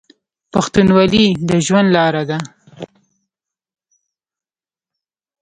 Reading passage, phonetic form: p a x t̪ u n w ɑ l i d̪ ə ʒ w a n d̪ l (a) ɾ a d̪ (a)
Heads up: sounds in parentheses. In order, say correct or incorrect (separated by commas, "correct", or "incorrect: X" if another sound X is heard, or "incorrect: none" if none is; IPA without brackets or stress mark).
incorrect: ɑ, correct